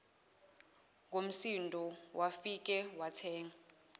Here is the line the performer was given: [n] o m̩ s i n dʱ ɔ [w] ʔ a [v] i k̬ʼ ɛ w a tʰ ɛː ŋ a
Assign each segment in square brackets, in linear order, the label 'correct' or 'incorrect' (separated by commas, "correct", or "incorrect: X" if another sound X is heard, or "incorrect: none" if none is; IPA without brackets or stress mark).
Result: incorrect: ŋ, correct, incorrect: f